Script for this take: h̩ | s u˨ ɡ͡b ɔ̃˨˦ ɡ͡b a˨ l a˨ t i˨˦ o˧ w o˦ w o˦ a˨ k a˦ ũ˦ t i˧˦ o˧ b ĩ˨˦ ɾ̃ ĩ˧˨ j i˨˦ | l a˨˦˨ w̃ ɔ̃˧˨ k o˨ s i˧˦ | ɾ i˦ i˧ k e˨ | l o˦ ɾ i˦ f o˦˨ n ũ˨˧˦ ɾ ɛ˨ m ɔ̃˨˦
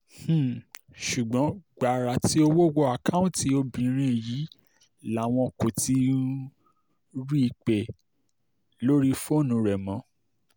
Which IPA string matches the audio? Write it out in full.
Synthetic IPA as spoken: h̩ | ʃ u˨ ɡ͡b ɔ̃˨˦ ɡ͡b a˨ ɾ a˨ t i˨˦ o˧ w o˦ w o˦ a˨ k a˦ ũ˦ t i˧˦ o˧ b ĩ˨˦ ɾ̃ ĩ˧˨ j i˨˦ | l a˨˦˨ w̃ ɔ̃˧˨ k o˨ t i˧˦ | ɾ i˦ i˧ k͡p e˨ | l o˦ ɾ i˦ f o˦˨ n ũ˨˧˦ ɾ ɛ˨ m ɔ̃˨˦

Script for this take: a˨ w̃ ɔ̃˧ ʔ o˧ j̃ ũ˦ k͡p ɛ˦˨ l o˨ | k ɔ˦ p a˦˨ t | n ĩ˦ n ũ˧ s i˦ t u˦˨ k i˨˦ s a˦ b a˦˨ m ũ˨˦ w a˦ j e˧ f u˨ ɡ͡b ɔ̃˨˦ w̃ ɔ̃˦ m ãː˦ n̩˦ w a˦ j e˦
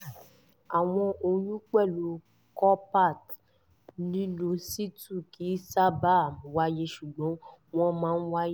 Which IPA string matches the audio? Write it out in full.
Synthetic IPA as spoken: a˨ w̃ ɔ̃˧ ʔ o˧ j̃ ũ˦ k͡p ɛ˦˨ l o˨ | k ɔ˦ p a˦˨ t | n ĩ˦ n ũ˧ s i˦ t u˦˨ k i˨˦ s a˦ b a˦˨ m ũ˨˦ w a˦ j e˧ ʃ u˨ ɡ͡b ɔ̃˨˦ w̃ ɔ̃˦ m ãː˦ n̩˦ w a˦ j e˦

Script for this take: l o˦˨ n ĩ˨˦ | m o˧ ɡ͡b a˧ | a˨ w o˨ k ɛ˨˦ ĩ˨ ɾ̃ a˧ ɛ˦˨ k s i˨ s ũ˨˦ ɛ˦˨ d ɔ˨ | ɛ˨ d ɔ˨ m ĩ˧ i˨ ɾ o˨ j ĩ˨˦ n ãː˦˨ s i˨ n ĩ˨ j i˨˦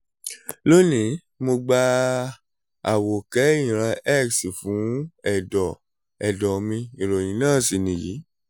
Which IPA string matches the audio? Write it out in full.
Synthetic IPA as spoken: l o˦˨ n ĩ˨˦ | m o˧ ɡ͡b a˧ | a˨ w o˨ k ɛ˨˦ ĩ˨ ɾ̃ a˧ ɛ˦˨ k s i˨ f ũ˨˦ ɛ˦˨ d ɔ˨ | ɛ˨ d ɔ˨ m ĩ˧ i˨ ɾ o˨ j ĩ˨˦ n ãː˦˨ s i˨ n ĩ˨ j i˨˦

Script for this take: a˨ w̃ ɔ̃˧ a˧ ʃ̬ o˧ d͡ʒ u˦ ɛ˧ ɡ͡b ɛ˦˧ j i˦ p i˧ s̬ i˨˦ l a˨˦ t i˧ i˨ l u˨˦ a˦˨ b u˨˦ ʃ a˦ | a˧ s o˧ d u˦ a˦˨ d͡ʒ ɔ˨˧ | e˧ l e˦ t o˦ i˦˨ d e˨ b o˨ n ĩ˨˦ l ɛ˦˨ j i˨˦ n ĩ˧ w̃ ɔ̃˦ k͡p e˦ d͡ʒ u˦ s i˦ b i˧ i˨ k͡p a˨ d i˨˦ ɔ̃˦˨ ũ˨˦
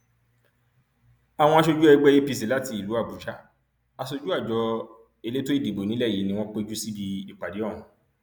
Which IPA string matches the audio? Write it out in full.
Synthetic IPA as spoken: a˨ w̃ ɔ̃˧ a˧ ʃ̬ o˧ d͡ʒ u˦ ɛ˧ ɡ͡b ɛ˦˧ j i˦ p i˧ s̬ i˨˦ l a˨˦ t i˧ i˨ l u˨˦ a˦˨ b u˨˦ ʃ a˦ | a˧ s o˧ d͡ʒ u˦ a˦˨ d͡ʒ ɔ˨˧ | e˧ l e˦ t o˦ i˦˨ d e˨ b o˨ n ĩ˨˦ l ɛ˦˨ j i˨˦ n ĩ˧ w̃ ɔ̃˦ k͡p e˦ d͡ʒ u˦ s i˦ b i˧ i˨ k͡p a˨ d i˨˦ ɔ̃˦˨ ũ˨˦

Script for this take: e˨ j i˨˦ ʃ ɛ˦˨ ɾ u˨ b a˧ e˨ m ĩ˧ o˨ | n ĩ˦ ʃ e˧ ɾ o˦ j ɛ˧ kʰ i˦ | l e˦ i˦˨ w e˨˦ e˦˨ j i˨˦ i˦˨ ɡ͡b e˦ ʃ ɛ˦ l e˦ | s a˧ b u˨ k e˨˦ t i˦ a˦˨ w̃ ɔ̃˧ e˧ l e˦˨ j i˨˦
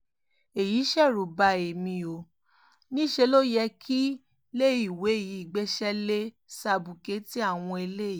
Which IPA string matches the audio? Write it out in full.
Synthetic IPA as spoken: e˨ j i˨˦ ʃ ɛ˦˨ ɾ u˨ b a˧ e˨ m ĩ˧ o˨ | n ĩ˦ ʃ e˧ l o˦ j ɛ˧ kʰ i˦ | l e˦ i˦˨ w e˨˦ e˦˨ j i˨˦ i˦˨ ɡ͡b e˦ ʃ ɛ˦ l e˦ | s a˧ b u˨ k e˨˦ t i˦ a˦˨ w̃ ɔ̃˧ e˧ l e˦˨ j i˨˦

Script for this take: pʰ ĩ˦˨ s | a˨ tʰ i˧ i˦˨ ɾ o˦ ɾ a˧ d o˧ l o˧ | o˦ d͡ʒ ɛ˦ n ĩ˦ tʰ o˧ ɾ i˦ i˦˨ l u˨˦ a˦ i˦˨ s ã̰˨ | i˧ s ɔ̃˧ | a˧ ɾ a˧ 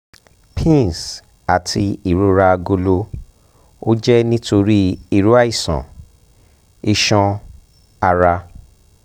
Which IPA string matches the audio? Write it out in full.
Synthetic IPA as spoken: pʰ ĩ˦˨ s | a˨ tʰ i˧ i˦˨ ɾ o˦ ɾ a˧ ɡ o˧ l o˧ | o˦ d͡ʒ ɛ˦ n ĩ˦ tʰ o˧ ɾ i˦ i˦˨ ɾ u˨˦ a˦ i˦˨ s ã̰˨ | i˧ ʃ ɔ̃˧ | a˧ ɾ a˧

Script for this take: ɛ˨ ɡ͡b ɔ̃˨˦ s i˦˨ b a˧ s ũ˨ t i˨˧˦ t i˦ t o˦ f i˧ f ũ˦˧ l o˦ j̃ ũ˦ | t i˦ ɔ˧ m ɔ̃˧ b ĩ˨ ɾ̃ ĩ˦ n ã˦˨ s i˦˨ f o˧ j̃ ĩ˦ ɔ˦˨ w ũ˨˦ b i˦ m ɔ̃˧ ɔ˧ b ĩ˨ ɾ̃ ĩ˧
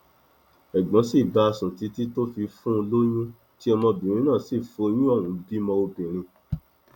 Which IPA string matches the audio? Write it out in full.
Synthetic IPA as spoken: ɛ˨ ɡ͡b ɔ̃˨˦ s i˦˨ b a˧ s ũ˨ t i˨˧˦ t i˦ t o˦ f i˧ f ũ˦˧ l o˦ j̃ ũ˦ | t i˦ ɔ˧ m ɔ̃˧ b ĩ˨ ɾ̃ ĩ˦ n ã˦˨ s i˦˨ f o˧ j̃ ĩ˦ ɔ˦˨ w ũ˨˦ b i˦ m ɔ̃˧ o˧ b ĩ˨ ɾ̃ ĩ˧

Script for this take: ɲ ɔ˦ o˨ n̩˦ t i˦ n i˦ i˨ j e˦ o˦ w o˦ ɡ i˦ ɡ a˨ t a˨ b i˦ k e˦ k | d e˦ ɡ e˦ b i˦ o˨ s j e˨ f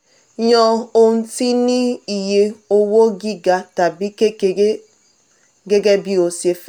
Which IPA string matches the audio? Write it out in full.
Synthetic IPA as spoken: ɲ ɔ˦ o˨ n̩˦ t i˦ n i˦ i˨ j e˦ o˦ w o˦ ɡ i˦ ɡ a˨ t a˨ b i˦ k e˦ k | ɡ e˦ ɡ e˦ b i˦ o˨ s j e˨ f

